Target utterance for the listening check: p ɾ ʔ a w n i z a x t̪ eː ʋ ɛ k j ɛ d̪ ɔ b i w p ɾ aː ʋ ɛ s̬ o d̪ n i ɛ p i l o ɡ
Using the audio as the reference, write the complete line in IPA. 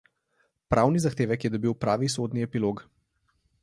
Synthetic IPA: p ɾ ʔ a w n i z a x t̪ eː ʋ ɛ k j ɛ d̪ ɔ b i w p ɾ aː ʋ i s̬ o d̪ n i ɛ p i l o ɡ